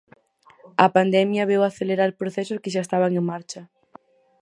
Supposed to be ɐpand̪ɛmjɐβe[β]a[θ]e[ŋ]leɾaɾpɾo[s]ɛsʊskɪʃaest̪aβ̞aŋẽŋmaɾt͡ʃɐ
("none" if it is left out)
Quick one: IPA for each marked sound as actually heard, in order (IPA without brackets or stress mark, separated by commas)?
w, θ, none, θ